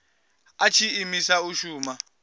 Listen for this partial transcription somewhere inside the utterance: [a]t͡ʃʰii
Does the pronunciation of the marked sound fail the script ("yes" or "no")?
no